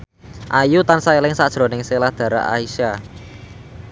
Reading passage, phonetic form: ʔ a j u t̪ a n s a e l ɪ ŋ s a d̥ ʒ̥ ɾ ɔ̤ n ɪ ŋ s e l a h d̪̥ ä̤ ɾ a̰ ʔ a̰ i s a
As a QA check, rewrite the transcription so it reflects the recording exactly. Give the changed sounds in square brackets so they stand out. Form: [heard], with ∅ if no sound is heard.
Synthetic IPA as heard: ʔ a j u t̪ a n s a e l ɪ ŋ s a d̥ ʒ̥ ɾ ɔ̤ n ɪ ŋ s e l a h d̪̥ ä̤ ɾ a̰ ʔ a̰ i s a